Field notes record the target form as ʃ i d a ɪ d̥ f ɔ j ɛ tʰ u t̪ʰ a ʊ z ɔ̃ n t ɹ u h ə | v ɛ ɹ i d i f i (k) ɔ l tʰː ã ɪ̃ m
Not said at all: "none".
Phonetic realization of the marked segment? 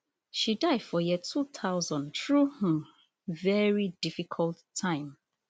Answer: kʰ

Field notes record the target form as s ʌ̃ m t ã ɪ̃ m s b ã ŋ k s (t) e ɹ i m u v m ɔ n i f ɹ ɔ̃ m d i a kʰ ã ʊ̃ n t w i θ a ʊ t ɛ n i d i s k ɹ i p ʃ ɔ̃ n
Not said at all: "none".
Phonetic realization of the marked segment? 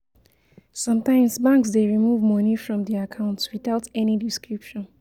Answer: d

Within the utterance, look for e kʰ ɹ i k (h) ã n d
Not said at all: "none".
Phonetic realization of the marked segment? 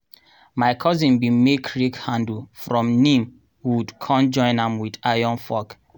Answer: h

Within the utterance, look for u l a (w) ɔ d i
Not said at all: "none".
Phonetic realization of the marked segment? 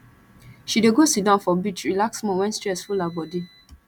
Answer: b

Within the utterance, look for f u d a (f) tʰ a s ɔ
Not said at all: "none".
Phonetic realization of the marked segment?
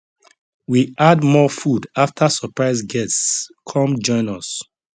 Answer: f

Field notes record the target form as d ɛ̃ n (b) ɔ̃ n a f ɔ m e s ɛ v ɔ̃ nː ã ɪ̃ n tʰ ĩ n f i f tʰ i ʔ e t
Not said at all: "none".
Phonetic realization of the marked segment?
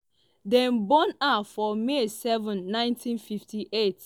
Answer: b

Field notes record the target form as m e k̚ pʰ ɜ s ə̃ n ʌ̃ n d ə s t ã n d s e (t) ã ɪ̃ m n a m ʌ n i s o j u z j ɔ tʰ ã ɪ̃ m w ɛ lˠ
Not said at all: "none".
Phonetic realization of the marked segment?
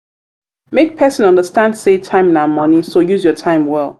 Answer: tʰ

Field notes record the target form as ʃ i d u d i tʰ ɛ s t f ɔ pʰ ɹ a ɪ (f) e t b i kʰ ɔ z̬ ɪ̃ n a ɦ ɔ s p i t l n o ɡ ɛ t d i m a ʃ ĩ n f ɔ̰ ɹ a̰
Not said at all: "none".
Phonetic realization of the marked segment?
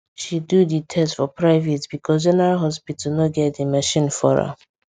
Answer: v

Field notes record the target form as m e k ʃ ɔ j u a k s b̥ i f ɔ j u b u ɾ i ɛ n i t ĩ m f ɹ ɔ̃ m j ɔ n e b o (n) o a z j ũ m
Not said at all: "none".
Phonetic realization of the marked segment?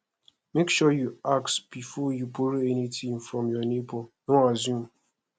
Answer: n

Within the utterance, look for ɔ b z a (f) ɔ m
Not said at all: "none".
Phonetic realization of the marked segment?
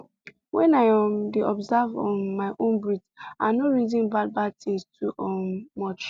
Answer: v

